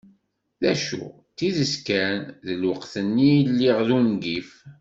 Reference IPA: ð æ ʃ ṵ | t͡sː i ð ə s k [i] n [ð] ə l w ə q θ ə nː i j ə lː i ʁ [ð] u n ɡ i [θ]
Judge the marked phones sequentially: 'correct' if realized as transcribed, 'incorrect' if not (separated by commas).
incorrect, correct, correct, incorrect